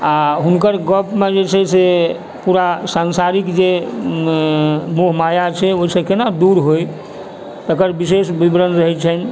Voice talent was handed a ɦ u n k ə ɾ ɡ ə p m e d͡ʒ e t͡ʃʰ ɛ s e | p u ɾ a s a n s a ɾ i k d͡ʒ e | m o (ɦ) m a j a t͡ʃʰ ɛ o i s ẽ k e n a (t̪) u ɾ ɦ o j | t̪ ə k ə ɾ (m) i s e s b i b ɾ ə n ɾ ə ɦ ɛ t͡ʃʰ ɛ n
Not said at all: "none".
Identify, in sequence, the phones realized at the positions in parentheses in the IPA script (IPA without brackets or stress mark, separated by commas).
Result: ɦ, d̪, b